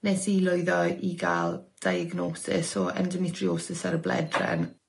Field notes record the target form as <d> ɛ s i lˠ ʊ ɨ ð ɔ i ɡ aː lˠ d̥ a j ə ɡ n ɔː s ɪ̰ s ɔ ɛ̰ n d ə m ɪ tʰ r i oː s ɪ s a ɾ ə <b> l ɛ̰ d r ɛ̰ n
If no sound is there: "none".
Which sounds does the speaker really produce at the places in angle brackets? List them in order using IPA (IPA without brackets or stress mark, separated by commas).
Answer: n, b